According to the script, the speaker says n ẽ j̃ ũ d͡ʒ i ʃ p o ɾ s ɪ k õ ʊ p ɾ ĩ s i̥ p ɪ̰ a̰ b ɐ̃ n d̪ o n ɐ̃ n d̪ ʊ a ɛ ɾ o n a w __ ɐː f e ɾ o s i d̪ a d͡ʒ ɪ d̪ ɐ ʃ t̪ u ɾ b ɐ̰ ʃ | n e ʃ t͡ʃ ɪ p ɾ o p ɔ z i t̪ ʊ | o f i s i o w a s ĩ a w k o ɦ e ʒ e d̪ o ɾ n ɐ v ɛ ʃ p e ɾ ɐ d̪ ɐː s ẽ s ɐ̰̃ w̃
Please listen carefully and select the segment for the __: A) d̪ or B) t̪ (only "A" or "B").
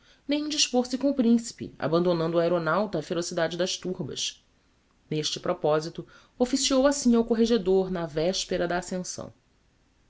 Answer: B